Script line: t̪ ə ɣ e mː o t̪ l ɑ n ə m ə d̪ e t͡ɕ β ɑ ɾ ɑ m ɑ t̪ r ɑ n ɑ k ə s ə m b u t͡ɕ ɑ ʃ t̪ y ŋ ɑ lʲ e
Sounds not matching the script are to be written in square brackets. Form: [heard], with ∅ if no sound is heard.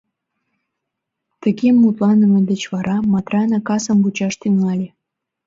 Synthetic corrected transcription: t̪ ə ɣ e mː [u] t̪ l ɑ n ə m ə d̪ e t͡ɕ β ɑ ɾ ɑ m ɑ t̪ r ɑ n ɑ k [ɑ] s ə m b u t͡ɕ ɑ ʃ t̪ y ŋ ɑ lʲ e